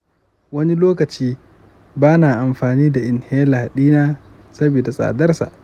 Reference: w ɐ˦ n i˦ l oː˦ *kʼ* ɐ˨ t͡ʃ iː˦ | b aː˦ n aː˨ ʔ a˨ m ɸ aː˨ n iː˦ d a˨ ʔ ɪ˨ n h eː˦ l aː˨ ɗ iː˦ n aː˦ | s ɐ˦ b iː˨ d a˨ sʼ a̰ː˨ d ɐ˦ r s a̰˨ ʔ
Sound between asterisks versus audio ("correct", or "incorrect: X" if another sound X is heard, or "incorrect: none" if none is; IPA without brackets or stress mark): incorrect: k